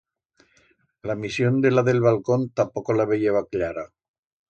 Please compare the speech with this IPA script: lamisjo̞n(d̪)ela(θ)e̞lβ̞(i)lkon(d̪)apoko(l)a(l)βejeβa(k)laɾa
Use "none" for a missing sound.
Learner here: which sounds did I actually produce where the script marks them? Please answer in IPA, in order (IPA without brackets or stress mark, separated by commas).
d̪, ð, a, t̪, l, none, k